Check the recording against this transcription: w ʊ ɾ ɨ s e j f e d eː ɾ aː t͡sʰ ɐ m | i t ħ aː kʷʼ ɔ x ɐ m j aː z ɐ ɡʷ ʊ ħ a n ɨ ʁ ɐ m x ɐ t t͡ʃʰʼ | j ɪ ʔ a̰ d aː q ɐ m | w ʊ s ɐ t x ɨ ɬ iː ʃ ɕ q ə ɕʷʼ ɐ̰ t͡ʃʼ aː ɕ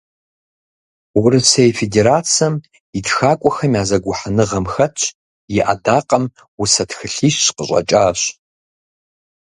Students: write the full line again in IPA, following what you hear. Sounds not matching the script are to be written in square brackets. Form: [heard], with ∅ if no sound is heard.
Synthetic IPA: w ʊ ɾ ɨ s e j f e d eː ɾ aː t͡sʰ ɐ m | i t [x] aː kʷʼ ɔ x ɐ m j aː z ɐ ɡʷ ʊ ħ a n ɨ ʁ ɐ m x ɐ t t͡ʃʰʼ | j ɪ ʔ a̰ d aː q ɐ m | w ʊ s ɐ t x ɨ ɬ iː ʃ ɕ q ə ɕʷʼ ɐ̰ t͡ʃʼ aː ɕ